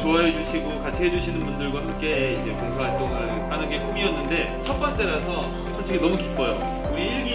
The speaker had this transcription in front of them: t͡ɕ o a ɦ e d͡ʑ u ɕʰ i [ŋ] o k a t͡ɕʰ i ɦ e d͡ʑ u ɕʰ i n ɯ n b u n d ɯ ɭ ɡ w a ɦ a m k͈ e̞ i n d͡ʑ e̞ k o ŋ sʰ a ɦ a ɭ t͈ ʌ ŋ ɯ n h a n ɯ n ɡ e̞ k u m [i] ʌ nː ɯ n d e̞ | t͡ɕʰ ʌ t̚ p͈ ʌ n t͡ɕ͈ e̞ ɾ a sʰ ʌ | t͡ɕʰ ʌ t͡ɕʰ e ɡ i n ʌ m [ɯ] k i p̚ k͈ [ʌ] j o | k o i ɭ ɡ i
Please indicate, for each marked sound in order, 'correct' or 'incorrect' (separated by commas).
incorrect, correct, incorrect, correct